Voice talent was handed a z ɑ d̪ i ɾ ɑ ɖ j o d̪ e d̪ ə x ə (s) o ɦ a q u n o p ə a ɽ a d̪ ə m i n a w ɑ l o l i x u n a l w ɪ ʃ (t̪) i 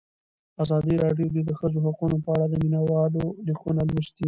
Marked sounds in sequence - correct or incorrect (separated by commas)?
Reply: incorrect, correct